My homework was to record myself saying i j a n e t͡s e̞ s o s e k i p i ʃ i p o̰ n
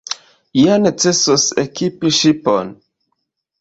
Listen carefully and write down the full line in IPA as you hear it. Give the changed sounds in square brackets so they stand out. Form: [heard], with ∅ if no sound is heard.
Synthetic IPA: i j a n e t͡s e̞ s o s e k i p i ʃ i p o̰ n